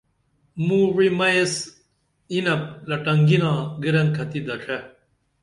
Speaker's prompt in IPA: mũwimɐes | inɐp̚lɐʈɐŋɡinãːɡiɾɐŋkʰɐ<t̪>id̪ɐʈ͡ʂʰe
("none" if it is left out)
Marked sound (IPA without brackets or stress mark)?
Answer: t̪